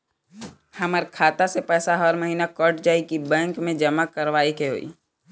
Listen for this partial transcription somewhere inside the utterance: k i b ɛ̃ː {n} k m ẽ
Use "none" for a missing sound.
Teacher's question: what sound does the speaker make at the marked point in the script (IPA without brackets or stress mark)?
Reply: ŋ